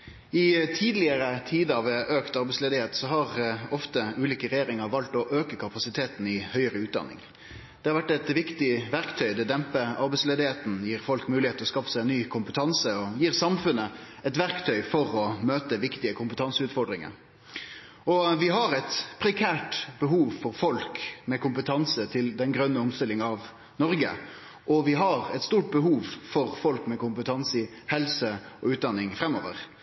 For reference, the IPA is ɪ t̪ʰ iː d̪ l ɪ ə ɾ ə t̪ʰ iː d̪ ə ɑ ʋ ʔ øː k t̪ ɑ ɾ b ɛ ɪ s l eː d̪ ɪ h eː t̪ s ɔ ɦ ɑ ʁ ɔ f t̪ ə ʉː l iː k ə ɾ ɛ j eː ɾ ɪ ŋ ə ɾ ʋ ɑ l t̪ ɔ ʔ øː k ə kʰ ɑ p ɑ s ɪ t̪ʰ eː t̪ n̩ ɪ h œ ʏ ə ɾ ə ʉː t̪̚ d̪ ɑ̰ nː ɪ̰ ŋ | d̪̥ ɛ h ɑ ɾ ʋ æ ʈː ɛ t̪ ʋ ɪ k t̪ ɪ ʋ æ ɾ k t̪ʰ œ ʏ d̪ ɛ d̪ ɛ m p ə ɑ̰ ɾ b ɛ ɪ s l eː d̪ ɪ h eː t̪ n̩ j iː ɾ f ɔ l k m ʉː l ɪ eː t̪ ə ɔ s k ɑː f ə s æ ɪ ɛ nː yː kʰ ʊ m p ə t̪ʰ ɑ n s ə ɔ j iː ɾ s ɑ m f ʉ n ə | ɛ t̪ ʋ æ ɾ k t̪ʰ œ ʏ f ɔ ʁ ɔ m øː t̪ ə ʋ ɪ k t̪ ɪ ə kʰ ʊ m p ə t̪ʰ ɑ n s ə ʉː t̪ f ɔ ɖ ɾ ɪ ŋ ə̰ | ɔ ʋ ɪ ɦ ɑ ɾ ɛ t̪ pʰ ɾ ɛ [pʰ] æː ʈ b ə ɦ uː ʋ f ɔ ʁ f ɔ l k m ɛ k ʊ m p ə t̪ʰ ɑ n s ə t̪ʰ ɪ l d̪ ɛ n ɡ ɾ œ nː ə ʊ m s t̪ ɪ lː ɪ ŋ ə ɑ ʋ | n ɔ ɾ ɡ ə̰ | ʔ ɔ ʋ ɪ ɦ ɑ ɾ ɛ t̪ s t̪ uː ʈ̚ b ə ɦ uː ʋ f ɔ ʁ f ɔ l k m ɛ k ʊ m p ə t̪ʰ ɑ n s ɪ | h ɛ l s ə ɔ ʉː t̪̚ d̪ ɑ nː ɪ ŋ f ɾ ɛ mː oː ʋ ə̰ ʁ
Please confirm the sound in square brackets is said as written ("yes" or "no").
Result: no